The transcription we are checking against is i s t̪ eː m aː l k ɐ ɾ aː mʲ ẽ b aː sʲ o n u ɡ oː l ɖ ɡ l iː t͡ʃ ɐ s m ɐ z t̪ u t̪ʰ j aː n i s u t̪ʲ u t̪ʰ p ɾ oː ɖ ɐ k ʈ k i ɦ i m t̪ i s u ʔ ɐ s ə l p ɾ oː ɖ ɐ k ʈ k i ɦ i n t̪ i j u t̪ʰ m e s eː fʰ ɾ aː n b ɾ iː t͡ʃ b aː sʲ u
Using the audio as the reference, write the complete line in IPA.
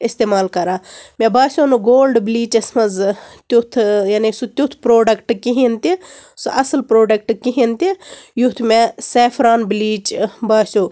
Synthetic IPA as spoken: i s t̪ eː m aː l k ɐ ɾ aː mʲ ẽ b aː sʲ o n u ɡ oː l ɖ b l iː t͡ʃ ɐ s m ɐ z t̪ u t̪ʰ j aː n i s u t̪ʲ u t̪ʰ p ɾ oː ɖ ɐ k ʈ k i ɦ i n t̪ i s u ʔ ɐ s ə l p ɾ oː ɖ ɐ k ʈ k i ɦ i n t̪ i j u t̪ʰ m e s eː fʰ ɾ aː n b l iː t͡ʃ b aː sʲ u